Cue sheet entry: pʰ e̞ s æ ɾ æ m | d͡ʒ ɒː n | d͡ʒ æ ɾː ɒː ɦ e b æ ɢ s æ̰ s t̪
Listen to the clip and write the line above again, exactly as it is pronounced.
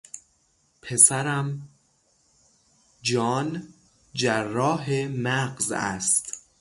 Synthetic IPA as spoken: pʰ e̞ s æ ɾ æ m | d͡ʒ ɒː n | d͡ʒ æ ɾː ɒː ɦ e m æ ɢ z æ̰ s t̪